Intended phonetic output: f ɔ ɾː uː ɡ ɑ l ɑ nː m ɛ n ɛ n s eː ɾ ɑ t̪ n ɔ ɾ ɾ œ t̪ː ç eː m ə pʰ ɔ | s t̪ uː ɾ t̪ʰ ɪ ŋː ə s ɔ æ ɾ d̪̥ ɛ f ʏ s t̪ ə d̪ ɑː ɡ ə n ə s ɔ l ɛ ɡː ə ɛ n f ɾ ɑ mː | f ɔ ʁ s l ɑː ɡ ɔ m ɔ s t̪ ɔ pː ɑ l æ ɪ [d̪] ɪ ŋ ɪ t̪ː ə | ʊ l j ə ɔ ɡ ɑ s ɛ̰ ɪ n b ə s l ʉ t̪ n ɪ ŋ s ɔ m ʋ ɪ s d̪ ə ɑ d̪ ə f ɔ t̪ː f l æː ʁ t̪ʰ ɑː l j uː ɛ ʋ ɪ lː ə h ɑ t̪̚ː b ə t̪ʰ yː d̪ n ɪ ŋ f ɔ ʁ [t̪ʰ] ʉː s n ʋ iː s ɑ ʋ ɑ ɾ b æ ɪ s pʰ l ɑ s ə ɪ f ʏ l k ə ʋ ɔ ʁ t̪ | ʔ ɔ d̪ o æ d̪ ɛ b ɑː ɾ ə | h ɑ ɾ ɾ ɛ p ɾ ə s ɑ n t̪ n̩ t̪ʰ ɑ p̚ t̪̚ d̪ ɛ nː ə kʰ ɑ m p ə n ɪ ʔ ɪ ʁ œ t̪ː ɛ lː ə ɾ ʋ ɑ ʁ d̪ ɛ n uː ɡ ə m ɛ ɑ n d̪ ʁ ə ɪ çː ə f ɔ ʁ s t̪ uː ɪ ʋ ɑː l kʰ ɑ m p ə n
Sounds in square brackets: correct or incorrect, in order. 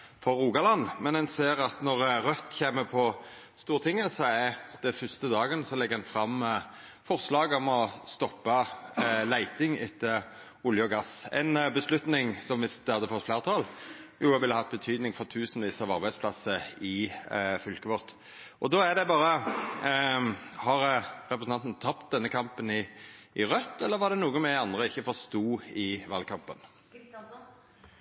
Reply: incorrect: t̪, correct

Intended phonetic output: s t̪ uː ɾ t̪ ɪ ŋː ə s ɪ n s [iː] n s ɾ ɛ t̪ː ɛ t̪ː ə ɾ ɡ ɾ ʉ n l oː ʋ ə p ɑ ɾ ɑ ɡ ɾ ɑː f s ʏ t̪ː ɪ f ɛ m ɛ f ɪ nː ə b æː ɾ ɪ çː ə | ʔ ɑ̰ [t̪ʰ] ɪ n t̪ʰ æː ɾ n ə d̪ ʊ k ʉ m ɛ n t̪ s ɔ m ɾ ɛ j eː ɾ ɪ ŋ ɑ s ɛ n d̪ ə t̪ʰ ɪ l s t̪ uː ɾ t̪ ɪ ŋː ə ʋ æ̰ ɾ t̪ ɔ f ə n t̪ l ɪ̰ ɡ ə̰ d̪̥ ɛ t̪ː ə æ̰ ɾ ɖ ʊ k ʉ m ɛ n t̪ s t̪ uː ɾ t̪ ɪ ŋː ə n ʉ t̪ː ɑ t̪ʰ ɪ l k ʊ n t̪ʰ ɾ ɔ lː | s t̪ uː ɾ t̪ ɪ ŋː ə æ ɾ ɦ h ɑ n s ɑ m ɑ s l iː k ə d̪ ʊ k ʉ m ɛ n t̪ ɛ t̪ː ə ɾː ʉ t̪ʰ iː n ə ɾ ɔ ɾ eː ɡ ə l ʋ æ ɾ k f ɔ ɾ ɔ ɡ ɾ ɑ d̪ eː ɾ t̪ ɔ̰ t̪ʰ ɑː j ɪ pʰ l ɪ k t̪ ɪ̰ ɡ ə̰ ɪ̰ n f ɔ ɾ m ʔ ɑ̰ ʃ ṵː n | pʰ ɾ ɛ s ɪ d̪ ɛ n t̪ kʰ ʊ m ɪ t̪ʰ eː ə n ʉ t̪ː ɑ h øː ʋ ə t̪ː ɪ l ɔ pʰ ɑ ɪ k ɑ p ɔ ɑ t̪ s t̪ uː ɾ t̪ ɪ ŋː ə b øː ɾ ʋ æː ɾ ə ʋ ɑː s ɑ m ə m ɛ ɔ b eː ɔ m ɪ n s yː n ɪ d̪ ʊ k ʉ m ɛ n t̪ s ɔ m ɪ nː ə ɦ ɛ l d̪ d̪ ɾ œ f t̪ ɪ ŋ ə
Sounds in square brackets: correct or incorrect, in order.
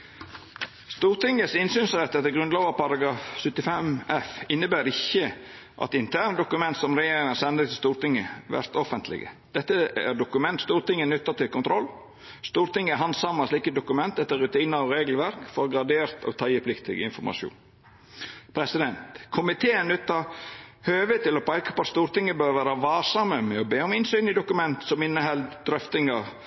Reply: incorrect: yː, incorrect: t̪

